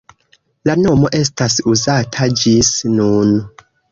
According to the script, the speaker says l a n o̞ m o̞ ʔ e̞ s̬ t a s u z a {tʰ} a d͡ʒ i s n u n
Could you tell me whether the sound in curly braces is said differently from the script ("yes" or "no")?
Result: no